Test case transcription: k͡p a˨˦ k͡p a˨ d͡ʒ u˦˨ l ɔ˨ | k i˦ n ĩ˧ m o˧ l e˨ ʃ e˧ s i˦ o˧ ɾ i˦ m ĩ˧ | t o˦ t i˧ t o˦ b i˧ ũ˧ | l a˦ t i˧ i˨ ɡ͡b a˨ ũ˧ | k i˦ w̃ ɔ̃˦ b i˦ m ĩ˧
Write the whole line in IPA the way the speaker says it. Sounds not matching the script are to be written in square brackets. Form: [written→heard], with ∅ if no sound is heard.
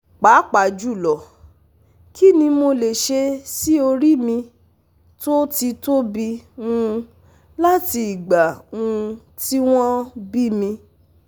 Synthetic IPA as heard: k͡p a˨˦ k͡p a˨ d͡ʒ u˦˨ l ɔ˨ | k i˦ n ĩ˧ m o˧ l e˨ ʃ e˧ s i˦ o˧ ɾ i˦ m ĩ˧ | t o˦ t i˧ t o˦ b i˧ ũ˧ | l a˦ t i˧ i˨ ɡ͡b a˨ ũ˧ | [k→t] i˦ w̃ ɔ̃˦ b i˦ m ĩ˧

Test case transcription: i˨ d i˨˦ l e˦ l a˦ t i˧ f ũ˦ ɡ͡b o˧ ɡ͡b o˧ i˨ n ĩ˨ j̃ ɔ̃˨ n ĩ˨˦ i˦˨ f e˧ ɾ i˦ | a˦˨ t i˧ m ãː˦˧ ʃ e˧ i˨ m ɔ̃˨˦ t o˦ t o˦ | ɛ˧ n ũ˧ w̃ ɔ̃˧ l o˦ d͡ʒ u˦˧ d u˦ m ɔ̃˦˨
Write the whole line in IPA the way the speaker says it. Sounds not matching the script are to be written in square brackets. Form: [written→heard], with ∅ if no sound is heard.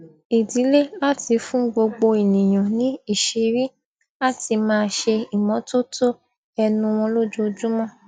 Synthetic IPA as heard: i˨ d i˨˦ l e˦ l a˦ t i˧ f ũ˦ ɡ͡b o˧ ɡ͡b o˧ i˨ n ĩ˨ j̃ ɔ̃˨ n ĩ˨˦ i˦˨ [f→ʃ] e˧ ɾ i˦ | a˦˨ t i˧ m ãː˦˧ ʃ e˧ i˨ m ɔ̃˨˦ t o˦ t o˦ | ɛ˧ n ũ˧ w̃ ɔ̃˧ l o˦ d͡ʒ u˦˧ [d→d͡ʒ] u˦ m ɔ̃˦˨

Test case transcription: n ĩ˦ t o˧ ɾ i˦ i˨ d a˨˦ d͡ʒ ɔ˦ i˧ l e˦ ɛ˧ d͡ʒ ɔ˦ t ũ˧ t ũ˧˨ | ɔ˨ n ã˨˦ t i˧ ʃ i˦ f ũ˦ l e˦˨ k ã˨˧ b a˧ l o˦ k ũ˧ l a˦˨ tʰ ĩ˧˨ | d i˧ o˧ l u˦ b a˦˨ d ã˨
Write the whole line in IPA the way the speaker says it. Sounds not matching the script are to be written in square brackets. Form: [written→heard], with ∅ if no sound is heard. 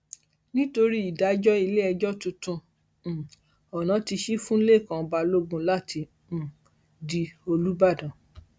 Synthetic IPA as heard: n ĩ˦ t o˧ ɾ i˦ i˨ d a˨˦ d͡ʒ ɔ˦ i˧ l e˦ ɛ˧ d͡ʒ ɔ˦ t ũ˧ t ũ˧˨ | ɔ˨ n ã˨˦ t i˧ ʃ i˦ f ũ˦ l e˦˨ k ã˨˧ b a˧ l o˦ [k→ɡ] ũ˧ l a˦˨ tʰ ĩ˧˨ | d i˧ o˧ l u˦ b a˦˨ d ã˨

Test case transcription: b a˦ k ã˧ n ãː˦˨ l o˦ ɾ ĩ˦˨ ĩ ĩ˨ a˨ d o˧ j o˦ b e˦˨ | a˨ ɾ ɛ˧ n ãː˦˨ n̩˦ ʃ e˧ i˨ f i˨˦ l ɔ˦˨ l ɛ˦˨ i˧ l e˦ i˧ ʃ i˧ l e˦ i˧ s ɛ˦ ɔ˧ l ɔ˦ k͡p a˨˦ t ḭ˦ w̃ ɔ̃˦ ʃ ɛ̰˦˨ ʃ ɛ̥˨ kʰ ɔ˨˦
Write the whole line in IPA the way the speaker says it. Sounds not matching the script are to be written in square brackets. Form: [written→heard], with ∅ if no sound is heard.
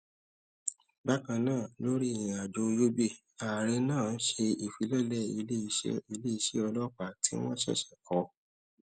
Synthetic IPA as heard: b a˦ k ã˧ n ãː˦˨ l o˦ ɾ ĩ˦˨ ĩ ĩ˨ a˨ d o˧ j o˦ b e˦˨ | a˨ ɾ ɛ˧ n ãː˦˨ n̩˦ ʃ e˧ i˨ f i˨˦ l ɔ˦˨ l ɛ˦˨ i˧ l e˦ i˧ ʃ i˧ l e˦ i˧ [s→ʃ] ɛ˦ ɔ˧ l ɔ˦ k͡p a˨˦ t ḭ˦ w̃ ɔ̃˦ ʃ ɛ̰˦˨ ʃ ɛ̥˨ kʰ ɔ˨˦

